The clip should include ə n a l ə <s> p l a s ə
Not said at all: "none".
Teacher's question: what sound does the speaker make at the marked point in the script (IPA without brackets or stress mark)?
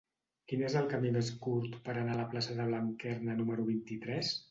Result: none